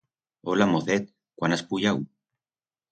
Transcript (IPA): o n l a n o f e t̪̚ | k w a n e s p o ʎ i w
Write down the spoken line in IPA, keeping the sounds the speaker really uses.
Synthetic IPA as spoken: o l a m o θ e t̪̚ | k w a n a s p u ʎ a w

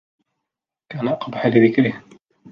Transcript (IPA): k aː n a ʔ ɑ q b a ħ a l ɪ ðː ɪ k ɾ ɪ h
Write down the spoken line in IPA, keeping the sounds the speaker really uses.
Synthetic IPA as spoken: k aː n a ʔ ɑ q b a ħ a l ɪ ð ɪ k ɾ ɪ h

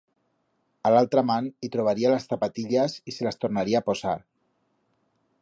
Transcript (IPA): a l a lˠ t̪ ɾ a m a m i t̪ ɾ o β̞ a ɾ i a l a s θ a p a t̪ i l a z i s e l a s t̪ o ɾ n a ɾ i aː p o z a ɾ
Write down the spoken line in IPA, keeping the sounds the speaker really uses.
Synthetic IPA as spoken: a l a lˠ t̪ ɾ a m a n i t̪ ɾ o β̞ a ɾ i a l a s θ a p a t̪ i ʎ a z i s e l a s t̪ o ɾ n a ɾ i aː p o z a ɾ

